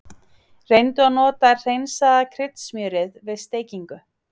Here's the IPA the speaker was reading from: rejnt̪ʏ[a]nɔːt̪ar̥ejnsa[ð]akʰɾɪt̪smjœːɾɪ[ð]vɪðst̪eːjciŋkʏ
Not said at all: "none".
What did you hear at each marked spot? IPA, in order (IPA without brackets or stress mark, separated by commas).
a, ð, ð